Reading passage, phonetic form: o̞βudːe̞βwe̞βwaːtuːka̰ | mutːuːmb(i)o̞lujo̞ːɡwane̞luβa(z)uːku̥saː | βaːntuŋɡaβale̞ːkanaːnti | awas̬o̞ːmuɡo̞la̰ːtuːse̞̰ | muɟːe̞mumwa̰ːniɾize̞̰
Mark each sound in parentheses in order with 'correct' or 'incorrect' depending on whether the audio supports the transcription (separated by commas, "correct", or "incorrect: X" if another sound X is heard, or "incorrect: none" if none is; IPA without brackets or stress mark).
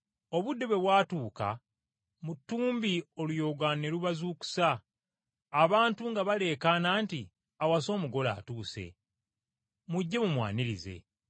correct, correct